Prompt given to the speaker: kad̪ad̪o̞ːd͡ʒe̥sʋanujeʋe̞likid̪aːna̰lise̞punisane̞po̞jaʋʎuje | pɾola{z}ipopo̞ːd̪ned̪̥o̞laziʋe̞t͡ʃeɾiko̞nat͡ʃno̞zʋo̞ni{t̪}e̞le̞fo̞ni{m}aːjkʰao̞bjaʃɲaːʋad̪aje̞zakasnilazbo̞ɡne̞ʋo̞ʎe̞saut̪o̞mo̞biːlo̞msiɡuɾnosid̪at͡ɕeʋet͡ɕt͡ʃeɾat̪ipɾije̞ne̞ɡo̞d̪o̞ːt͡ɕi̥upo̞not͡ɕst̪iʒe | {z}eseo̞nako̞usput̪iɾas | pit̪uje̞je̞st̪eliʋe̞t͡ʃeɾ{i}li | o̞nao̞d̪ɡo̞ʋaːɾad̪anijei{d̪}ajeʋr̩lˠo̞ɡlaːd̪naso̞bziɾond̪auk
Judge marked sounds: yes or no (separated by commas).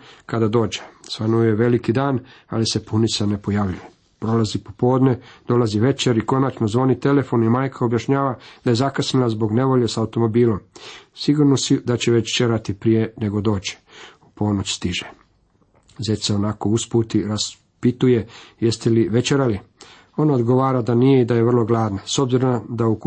yes, yes, yes, yes, no, yes